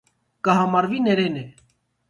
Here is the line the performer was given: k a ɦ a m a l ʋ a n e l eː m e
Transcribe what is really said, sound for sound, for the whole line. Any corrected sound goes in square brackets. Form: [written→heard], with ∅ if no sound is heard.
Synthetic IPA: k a ɦ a m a [l→ɾ] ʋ [a→i] n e [l→ɾ] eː [m→n] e

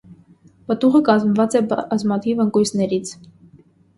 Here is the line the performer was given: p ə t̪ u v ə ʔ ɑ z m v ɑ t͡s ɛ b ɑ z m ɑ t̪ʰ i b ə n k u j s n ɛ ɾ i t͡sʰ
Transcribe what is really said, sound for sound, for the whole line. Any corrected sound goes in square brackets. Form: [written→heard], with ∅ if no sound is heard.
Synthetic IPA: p ə t̪ u [v→ʁ] ə [ʔ→k] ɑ z m v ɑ t͡s ɛ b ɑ z m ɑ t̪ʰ i [b→v] ə [n→ŋ] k u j s n ɛ ɾ i t͡sʰ

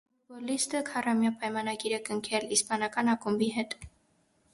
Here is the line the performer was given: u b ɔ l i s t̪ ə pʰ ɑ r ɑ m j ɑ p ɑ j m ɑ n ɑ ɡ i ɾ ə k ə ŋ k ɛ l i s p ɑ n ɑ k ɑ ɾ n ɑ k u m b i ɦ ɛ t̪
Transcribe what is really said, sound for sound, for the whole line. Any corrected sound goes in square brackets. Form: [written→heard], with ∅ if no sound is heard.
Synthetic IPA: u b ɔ l i s t̪ ə [pʰ→kʰ] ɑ r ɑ m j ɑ p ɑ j m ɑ n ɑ ɡ i ɾ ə k ə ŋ [k→kʰ] ɛ l i s p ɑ n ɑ k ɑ [ɾ→∅] n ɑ k u m b i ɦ ɛ t̪

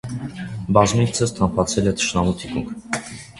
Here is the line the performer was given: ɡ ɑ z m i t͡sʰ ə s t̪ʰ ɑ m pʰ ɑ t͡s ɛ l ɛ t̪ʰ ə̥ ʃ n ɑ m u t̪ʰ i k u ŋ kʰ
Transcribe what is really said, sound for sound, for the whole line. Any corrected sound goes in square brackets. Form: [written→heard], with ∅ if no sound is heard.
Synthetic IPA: [ɡ→b] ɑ z m i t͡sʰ ə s t̪ʰ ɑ m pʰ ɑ [t͡s→t͡sʰ] ɛ l ɛ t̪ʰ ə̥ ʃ n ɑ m u t̪ʰ i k u ŋ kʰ

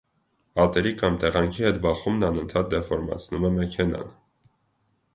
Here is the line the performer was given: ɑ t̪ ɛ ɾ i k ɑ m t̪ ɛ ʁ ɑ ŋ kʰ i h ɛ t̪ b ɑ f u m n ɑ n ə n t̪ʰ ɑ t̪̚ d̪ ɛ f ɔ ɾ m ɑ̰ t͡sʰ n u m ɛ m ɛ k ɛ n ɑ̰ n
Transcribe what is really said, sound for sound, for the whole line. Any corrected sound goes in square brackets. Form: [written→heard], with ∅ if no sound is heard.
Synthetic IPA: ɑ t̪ ɛ ɾ i k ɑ m t̪ ɛ ʁ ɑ ŋ kʰ i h ɛ t̪ b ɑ [f→χ] u m n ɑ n ə n t̪ʰ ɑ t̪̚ d̪ ɛ f ɔ ɾ m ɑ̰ t͡sʰ n u m ɛ m ɛ [k→kʰ] ɛ n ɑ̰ n

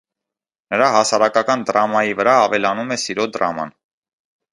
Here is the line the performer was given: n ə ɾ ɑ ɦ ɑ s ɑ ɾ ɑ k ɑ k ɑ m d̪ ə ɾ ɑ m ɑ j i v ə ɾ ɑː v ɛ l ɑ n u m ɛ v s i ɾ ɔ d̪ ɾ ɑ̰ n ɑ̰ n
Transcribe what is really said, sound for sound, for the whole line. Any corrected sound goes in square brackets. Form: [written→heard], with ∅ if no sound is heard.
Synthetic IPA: n ə ɾ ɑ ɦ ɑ s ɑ ɾ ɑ k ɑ k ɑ [m→n] d̪ ə ɾ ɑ m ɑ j i v ə ɾ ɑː v ɛ l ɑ n u m ɛ [v→∅] s i ɾ ɔ d̪ ɾ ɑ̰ [n→m] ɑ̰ n

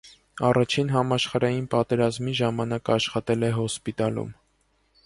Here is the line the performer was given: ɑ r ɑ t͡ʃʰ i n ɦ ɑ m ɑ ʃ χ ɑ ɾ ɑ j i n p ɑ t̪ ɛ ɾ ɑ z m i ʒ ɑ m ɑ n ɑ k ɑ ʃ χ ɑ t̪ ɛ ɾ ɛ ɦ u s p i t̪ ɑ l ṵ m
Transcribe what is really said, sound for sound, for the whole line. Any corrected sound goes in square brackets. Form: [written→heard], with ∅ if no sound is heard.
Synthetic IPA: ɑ r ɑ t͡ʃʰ i n ɦ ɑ m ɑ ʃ χ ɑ ɾ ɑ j i n p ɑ t̪ ɛ ɾ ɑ z m i ʒ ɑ m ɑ n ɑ k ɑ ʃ χ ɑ t̪ ɛ [ɾ→l] ɛ ɦ [u→ɔ] s p i t̪ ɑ l ṵ m

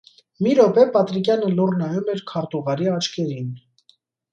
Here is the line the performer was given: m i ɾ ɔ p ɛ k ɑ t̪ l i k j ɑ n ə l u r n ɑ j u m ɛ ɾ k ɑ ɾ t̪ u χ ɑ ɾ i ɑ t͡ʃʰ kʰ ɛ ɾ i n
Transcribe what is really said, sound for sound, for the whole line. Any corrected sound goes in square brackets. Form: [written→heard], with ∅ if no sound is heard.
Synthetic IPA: m i ɾ ɔ p ɛ [k→p] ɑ t̪ [l→ɾ] i k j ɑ n ə l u r n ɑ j u m ɛ ɾ [k→kʰ] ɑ ɾ t̪ u [χ→ʁ] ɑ ɾ i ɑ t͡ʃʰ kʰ ɛ ɾ i n

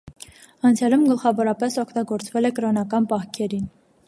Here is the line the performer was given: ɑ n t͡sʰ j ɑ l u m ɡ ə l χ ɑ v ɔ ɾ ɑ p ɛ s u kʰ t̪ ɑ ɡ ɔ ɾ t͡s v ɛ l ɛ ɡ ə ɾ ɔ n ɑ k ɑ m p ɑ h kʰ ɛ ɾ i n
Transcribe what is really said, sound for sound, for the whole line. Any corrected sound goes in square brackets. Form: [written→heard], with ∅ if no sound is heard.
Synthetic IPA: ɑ n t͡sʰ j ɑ l u m ɡ ə l χ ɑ v ɔ ɾ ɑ p ɛ s [u→ɔ] kʰ t̪ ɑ ɡ ɔ ɾ t͡s v ɛ l ɛ [ɡ→k] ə ɾ ɔ n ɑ k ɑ [m→n] p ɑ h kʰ ɛ ɾ i n

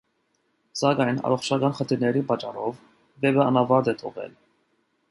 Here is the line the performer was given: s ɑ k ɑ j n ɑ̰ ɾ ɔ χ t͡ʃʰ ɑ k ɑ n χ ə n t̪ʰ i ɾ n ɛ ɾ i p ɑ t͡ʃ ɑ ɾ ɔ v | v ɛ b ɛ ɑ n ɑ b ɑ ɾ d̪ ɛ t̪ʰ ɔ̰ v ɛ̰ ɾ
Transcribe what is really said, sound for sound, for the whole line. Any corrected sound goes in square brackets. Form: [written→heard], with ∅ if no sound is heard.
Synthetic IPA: s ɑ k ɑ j n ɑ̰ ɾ ɔ χ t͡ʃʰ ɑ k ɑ n χ ə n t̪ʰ i ɾ n ɛ ɾ i p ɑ t͡ʃ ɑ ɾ ɔ v | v ɛ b ɛ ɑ n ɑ [b→v] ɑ ɾ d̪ ɛ t̪ʰ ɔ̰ [v→ʁ] ɛ̰ [ɾ→l]

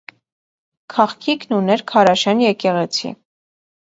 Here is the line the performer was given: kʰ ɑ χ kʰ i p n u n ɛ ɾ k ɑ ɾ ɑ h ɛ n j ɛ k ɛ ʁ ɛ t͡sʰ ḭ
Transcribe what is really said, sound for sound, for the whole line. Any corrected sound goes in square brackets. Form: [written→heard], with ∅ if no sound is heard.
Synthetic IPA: kʰ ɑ χ kʰ i [p→k] n u n ɛ ɾ [k→kʰ] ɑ ɾ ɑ [h→ʃ] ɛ n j ɛ k ɛ ʁ ɛ t͡sʰ ḭ

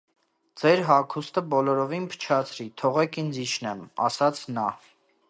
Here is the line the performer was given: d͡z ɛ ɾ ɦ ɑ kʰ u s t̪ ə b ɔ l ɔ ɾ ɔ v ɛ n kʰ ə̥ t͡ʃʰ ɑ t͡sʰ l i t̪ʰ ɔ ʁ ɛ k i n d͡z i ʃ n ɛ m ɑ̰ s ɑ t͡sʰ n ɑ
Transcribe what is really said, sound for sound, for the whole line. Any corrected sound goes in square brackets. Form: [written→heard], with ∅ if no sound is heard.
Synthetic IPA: d͡z ɛ ɾ ɦ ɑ kʰ u s t̪ ə b ɔ l ɔ ɾ ɔ v [ɛ→i] n [kʰ→pʰ] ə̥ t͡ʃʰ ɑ t͡sʰ [l→ɾ] i t̪ʰ ɔ ʁ ɛ k i n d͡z i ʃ n ɛ m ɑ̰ s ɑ t͡sʰ n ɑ

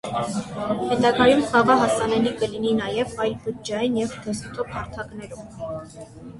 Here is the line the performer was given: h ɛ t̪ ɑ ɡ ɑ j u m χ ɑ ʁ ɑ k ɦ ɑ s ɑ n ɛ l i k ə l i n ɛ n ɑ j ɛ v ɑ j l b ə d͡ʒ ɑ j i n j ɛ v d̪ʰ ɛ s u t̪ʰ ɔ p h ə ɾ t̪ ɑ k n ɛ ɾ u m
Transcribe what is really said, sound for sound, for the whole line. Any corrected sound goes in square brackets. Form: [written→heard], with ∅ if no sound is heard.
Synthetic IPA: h ɛ t̪ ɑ ɡ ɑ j u m χ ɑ ʁ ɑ [k→∅] ɦ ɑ s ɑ n ɛ l i k ə l i n [ɛ→i] n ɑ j ɛ v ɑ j l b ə d͡ʒ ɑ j i n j ɛ v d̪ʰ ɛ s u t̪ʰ ɔ p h [ə→ɑ] ɾ [t̪→t̪ʰ] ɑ k n ɛ ɾ u m

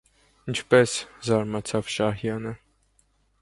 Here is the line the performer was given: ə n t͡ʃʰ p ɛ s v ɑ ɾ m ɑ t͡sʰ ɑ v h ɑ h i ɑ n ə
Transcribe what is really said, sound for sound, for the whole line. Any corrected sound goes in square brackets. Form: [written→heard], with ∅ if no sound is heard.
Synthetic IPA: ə n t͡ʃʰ p ɛ s [v→z] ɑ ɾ m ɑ t͡sʰ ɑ v [h→ʃ] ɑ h [i→j] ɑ n ə

